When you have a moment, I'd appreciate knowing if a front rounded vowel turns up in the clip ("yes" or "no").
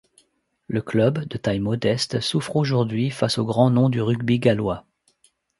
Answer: yes